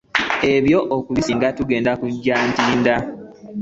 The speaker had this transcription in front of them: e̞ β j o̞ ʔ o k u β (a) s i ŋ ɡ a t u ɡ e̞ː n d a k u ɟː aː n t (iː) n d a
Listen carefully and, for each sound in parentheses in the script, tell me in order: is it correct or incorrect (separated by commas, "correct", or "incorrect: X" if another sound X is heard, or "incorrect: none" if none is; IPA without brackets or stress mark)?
incorrect: i, correct